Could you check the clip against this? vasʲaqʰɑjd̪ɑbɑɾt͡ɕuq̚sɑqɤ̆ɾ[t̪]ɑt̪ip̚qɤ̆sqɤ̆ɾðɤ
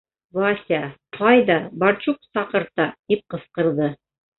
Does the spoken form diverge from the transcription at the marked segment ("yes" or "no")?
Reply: no